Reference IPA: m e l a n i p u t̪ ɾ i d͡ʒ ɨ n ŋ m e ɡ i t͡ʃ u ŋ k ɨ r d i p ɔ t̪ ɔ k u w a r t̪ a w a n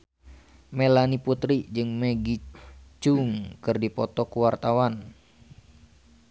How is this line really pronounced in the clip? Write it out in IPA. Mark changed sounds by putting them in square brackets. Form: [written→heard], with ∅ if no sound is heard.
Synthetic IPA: m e l a n i p u t̪ ɾ i d͡ʒ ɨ [n→∅] ŋ m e ɡ i t͡ʃ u ŋ k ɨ r d i p ɔ t̪ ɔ k u w a r t̪ a w a n